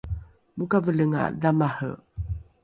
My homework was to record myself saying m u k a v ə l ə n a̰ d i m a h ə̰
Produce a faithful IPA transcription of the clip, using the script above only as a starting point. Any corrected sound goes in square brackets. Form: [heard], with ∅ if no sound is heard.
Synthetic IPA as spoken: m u k a v ə l ə [ŋ] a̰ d [a] m a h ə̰

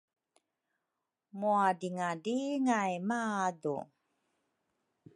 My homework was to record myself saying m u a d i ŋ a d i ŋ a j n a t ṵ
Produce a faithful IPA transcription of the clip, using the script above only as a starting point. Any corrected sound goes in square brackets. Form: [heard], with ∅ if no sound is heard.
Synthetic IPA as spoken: m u a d i ŋ a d i ŋ a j [m] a [d] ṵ

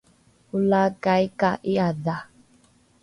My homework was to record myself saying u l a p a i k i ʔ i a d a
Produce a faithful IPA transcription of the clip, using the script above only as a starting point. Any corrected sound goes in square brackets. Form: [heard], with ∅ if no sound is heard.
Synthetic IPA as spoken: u l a [k] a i k [a] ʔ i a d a

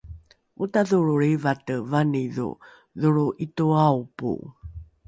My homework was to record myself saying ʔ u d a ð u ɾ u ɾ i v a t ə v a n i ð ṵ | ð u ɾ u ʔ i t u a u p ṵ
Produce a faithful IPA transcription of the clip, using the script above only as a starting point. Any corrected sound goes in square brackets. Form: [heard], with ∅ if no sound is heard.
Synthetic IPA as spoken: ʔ u [t] a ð u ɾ u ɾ i v a t ə v a n i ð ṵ | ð u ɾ u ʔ i t u a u p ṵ

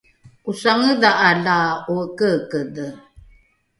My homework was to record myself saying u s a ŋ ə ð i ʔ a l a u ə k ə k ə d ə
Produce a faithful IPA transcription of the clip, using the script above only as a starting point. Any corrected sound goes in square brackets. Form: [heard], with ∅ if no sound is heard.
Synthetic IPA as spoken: u s a ŋ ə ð [a] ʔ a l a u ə k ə k ə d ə

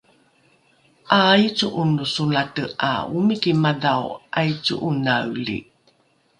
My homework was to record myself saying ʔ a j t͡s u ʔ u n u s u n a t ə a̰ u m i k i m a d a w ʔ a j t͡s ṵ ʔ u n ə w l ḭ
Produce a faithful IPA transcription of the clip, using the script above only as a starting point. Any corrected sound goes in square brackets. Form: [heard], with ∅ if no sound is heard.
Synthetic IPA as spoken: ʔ a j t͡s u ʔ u n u s u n a t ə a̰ u m i k i m a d a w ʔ a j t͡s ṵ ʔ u n [a] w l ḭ

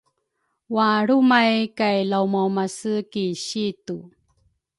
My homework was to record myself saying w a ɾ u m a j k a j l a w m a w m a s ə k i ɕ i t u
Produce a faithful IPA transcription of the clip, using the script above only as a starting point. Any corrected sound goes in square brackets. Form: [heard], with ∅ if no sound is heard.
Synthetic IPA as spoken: w a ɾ u m a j k a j l a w m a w m a s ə k i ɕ i t u

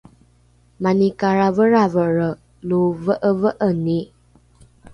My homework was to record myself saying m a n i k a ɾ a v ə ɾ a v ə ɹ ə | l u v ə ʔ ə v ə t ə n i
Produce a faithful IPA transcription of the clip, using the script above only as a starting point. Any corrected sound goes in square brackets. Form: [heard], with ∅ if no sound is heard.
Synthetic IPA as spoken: m a n i k a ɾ a v ə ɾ a v ə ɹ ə | l u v ə ʔ ə v ə [ʔ] ə n i

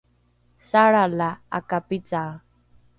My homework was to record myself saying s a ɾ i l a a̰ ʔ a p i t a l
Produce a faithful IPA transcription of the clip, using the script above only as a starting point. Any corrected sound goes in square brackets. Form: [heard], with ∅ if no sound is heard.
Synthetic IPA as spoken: s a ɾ [a] l a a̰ [k] a p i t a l

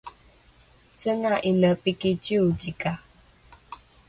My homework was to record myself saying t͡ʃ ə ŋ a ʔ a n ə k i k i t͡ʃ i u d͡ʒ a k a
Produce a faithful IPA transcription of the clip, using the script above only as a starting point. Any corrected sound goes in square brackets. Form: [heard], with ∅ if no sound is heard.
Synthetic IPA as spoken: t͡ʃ ə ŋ a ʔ [i] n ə [p] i k i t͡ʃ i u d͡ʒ [i] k a

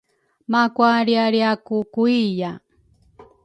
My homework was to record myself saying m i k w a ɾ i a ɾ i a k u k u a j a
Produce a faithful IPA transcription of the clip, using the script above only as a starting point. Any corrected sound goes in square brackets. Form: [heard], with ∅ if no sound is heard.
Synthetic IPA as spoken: m [a] k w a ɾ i a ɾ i a k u k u [i] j a

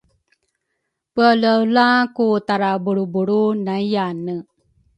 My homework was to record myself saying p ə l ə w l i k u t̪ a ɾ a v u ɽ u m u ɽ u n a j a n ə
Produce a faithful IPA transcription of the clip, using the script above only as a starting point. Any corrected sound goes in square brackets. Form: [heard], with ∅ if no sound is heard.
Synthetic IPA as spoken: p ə l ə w l [a] k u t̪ a ɾ a [b] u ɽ u [b] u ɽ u n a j a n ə

